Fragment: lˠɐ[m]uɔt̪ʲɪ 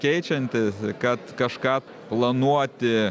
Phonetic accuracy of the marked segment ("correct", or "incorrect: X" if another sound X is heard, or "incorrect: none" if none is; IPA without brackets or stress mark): incorrect: n